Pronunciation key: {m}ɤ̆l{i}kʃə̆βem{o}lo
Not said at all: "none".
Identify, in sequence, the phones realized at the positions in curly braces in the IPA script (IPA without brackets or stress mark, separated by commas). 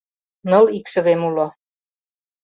n, i, u